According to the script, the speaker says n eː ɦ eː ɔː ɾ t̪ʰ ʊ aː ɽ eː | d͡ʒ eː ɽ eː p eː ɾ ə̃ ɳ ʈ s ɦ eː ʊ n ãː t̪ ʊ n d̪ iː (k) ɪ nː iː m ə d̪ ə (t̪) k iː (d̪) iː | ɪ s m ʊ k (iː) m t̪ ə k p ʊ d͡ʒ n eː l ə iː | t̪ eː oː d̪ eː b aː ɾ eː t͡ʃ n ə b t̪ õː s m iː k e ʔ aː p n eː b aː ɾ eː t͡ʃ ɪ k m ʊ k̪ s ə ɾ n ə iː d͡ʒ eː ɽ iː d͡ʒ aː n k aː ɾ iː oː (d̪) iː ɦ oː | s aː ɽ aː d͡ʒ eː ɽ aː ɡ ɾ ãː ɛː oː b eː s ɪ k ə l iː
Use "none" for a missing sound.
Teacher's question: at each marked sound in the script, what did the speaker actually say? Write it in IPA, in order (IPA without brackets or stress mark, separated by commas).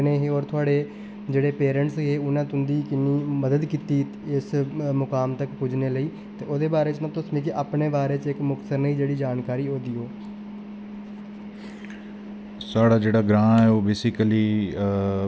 k, d̪, t̪, aː, d̪